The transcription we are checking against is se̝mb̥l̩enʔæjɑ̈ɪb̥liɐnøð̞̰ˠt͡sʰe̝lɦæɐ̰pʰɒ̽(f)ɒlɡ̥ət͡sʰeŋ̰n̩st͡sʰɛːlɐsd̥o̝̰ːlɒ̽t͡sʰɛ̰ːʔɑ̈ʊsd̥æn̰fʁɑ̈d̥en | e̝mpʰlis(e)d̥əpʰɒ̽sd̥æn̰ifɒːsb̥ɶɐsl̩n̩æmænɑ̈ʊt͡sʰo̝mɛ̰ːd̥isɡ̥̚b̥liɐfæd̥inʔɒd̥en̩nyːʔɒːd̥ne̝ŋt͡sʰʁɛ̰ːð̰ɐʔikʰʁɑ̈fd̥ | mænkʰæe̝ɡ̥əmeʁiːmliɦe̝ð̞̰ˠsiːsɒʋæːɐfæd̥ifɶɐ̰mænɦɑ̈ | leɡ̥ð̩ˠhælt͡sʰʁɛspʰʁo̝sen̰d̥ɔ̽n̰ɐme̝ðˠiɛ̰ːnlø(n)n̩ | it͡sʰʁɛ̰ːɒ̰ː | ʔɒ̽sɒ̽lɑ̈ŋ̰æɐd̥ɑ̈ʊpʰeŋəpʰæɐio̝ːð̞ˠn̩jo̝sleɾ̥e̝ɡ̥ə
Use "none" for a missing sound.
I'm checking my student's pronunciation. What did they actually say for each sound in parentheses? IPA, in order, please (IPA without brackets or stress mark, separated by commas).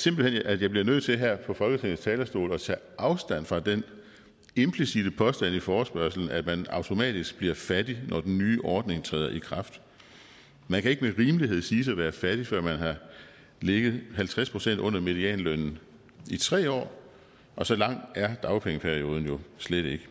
f, i, n